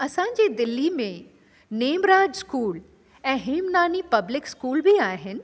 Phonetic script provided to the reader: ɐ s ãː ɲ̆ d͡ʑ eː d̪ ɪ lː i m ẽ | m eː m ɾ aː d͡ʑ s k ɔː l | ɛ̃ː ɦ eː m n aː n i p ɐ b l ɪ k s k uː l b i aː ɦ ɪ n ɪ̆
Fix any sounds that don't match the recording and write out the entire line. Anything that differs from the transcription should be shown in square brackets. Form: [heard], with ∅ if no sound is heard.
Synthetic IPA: ɐ s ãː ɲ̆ d͡ʑ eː d̪ ɪ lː i m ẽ | [n] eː m ɾ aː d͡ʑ s k [uː] l | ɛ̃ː ɦ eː m n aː n i p ɐ b l ɪ k s k uː l b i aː ɦ ɪ n ɪ̆